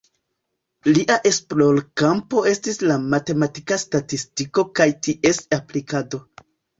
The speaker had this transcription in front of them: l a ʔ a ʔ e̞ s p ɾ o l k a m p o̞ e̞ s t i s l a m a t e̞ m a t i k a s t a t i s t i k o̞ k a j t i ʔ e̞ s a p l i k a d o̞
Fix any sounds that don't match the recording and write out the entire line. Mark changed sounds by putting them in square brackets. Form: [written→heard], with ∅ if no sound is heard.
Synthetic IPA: l [a→i] ʔ a ʔ e̞ s p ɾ o l k a m p o̞ e̞ s t i s l a m a t e̞ m a t i k a s t a t i s t i k o̞ k a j t i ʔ e̞ s a p l i k a d o̞